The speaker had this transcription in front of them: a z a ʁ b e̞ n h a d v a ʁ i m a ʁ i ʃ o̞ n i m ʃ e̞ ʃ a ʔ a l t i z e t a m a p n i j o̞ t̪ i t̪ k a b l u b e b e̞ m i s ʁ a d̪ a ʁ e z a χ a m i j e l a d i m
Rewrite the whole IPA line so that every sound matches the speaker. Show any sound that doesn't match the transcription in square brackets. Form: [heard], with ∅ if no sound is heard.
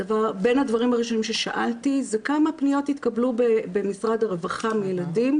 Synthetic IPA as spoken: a [v] a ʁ b e̞ n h a d v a ʁ i m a ʁ i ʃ o̞ n i m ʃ e̞ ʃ a ʔ a l t i z e [k] a m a p n i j o̞ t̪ i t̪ k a b l u b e b e̞ m i s ʁ a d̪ a ʁ e [v] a χ a m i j e l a d i m